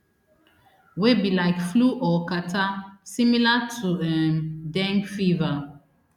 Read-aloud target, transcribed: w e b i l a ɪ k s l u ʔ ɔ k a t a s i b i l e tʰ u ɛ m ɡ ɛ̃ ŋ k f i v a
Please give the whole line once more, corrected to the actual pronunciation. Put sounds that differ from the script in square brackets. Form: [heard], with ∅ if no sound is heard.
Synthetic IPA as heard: w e b i l a ɪ k [f] l u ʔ ɔ k a t a s i [m] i l [a] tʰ u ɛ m [d] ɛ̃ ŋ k f i v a